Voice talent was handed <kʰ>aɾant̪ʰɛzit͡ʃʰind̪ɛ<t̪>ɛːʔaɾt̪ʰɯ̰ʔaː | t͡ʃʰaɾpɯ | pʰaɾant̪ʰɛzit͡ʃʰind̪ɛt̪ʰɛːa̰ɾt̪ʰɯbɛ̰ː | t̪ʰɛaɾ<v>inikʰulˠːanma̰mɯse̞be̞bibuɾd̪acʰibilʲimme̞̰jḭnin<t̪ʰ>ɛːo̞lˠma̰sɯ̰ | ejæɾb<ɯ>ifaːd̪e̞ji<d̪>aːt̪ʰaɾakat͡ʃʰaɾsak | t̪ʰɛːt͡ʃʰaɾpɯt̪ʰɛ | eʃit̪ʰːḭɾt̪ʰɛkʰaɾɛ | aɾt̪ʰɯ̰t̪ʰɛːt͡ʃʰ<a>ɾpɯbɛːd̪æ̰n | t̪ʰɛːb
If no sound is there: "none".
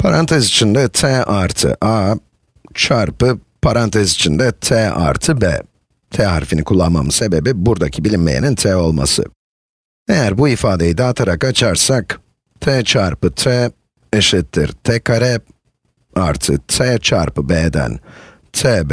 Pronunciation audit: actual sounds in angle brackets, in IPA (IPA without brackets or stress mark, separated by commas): pʰ, t̪ʰ, f, t̪ʰ, u, d̪, a